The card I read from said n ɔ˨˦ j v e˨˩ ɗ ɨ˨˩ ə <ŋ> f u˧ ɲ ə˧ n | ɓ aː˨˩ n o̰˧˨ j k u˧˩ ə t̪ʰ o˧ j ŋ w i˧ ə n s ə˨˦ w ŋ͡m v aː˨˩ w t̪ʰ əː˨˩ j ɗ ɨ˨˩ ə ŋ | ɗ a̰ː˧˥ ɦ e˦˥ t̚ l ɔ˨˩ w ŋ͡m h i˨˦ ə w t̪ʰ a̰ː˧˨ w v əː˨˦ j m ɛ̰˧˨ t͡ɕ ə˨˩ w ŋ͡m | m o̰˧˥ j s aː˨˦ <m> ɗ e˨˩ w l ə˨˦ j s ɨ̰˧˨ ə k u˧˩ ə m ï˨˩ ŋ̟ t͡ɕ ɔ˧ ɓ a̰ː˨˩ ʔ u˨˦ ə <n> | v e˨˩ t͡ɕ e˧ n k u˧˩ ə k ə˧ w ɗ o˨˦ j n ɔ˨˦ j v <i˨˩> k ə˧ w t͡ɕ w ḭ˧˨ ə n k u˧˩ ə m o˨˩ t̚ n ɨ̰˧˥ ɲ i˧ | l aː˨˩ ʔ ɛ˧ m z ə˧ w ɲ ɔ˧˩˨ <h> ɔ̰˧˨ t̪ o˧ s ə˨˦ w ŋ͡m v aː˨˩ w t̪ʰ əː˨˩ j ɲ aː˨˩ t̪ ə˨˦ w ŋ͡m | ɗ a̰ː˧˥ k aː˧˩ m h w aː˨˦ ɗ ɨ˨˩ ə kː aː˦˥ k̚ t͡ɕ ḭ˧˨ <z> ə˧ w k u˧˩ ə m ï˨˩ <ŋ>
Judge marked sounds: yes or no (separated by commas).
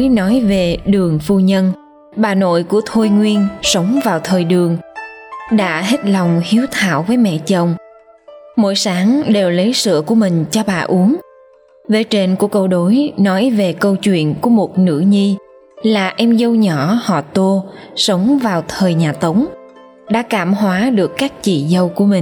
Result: yes, no, no, no, yes, yes, yes